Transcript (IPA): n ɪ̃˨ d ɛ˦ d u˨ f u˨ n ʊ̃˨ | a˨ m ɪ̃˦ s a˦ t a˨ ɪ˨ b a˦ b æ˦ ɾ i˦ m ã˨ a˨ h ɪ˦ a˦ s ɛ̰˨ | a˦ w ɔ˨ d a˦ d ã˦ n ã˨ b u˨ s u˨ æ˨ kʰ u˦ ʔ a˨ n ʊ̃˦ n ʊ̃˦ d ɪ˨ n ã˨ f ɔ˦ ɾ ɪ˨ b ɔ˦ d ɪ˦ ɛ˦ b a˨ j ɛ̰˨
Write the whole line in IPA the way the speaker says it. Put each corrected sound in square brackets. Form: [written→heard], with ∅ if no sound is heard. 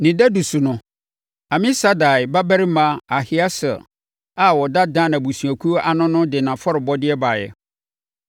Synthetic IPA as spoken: n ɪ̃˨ d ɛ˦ d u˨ [f→s] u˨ n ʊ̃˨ | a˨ m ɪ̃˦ s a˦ [t→d] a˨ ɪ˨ b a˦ b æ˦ ɾ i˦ m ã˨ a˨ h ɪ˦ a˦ s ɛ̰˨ | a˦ w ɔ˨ d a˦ d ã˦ n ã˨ b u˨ s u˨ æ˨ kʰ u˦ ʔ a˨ n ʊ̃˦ n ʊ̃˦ d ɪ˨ n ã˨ f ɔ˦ ɾ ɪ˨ b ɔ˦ d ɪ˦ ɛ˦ b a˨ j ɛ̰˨

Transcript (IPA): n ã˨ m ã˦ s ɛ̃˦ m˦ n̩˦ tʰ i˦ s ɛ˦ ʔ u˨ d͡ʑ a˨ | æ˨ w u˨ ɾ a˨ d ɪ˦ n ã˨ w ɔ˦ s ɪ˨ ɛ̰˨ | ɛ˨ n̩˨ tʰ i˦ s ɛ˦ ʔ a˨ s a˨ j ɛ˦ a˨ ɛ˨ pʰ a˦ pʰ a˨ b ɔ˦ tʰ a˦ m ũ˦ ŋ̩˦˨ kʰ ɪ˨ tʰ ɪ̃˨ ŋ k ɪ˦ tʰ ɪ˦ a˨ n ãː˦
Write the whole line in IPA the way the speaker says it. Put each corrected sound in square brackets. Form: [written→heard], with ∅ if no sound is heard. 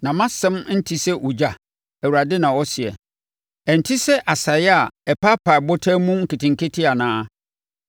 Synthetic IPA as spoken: n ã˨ m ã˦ s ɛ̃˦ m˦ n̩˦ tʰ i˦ s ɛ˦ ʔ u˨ d͡ʑ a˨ | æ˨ w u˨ ɾ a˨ d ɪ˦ n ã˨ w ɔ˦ s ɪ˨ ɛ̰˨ | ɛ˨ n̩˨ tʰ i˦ s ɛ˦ ʔ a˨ s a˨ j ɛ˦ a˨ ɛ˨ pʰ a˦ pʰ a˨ b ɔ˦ tʰ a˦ m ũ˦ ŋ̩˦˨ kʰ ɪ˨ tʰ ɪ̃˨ ŋ k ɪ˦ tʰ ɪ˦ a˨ n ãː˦

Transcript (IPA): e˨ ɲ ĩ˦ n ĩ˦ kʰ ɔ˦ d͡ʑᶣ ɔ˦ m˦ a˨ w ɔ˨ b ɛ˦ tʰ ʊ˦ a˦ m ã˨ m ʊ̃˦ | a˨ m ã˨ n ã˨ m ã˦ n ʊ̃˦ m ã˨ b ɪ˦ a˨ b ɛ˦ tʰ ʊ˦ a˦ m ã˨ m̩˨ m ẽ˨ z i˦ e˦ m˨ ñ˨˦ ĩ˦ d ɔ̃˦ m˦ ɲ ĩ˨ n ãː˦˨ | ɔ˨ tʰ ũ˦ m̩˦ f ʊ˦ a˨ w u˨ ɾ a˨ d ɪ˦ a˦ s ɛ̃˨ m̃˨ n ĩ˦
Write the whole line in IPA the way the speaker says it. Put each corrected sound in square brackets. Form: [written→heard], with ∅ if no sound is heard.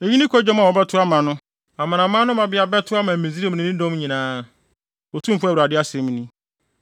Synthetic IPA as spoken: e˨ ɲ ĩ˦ n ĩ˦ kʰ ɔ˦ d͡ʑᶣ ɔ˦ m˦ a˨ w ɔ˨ b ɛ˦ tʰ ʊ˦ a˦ m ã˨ [m→n] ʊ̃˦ | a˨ m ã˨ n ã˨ m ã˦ n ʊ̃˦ m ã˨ b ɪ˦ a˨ b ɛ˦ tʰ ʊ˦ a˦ m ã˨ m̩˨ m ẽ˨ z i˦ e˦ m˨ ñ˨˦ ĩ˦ d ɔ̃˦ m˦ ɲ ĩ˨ n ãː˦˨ | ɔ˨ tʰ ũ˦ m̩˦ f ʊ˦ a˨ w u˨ ɾ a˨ d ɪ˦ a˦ s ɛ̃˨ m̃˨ n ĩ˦

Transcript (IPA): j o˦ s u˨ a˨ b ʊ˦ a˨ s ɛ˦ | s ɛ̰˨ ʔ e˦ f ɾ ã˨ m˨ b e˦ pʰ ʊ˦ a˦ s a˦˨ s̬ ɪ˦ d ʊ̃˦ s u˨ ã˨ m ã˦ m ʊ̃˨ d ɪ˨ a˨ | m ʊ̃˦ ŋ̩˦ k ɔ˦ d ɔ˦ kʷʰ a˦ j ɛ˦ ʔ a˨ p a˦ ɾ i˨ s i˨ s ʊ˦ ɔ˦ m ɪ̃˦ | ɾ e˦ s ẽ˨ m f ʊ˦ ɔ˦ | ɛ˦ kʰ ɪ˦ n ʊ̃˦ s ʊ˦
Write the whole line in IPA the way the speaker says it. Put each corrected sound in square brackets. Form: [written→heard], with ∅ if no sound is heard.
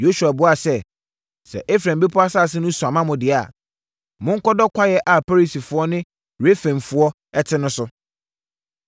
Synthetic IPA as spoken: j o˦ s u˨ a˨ b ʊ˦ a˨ s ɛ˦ | s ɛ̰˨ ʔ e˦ f ɾ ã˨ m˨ b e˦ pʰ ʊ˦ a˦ s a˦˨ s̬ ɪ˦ [d→n] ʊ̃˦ s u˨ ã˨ m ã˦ m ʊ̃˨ d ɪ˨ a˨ | m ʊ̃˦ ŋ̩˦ k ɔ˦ d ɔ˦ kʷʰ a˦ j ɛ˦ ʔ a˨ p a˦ ɾ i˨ s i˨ [s→f] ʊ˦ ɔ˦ [m→n] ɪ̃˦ | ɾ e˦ [s→f] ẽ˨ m f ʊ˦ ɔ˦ | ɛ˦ [kʰ→tʰ] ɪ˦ n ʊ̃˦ s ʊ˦

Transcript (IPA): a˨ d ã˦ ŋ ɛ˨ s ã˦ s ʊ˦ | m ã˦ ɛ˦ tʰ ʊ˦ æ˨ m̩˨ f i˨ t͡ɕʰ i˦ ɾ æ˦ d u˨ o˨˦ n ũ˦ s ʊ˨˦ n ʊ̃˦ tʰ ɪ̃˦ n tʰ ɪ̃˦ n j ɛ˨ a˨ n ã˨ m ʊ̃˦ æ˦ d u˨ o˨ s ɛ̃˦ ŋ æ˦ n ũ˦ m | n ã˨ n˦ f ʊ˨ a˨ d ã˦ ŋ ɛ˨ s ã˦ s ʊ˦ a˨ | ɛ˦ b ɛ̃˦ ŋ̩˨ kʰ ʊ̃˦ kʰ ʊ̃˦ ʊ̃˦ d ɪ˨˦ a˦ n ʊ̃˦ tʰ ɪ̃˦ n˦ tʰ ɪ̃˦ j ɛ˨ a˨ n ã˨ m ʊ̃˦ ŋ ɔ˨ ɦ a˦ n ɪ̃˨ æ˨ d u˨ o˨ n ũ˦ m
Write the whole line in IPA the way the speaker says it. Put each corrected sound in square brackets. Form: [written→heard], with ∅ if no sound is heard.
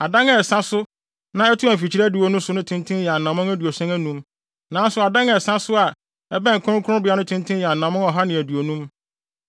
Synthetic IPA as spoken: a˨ d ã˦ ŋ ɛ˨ s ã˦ s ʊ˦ | [m→n] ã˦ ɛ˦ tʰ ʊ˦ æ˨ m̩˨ f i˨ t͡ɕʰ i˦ ɾ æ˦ d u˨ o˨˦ n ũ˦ s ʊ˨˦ n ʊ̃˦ tʰ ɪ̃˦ n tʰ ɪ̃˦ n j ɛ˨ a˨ n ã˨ m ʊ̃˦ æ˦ d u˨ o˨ s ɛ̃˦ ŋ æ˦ n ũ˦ m | n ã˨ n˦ [f→s] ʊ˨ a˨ d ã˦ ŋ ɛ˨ s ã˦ s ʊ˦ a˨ | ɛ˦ b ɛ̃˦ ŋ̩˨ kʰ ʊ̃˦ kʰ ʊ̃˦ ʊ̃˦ [d→b] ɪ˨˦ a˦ n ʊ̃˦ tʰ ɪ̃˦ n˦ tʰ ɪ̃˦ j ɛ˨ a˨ n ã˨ m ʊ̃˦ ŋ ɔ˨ ɦ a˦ n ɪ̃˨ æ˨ d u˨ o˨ n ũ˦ m

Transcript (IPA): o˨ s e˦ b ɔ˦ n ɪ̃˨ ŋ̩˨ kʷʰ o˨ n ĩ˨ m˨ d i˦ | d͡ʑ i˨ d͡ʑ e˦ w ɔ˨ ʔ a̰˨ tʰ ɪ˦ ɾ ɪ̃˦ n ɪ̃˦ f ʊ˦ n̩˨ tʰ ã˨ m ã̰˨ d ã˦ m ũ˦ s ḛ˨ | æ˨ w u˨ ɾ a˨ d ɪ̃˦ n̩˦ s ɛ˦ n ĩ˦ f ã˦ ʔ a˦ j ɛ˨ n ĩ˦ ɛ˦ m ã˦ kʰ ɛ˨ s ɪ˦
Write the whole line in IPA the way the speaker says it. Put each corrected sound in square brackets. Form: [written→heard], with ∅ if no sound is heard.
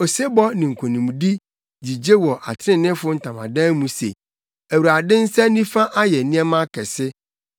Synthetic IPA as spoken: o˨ s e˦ b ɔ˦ n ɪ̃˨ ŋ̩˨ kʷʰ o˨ n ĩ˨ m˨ d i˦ | d͡ʑ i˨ d͡ʑ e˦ w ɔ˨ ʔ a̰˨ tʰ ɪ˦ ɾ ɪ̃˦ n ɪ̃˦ f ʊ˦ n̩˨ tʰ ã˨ m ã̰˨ d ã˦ m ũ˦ s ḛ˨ | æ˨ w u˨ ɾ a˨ d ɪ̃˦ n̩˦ s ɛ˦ n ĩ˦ f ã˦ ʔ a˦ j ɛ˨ n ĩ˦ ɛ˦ m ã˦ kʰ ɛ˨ s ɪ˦

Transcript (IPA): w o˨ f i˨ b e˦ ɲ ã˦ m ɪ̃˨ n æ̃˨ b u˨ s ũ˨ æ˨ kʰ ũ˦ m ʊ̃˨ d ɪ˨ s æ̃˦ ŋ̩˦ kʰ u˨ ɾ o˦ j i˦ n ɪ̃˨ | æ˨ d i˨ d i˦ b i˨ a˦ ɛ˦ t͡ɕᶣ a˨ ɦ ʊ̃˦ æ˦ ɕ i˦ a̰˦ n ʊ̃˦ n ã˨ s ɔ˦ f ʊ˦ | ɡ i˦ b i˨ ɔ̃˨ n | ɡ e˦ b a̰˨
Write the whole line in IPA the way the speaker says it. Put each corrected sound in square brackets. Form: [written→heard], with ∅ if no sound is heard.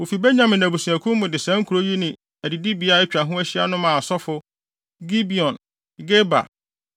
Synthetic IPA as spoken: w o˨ f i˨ b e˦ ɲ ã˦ m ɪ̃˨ n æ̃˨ b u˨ s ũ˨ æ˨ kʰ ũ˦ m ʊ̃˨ d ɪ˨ s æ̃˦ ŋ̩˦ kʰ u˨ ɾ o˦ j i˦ n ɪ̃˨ | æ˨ d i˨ d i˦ b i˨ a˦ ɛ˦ t͡ɕᶣ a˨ ɦ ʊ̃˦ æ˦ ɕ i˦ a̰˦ n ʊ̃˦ [n→m] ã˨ s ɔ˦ f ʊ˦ | ɡ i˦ b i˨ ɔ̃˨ n | ɡ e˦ b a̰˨

